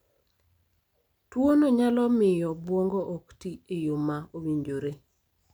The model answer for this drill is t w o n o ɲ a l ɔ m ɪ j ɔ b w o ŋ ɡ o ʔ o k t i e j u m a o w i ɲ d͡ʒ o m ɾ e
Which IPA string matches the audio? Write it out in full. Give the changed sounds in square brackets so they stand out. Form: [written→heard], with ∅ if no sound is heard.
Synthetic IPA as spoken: t w o n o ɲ a l ɔ m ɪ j ɔ b w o ŋ ɡ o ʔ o k t i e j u m a o w i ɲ d͡ʒ o [m→∅] ɾ e